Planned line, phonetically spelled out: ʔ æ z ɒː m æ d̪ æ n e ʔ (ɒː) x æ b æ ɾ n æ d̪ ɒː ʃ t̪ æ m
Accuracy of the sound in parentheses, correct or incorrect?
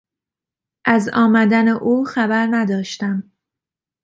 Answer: incorrect: uː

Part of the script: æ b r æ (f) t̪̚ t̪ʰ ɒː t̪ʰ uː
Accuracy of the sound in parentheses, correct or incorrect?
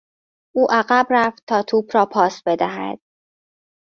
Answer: correct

